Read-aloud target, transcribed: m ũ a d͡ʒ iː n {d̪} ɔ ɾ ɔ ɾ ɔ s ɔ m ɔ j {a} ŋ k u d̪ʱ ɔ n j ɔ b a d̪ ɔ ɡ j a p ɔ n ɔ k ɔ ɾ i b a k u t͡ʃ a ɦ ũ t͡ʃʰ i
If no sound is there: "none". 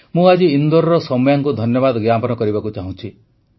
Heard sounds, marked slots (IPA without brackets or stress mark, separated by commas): d̪, a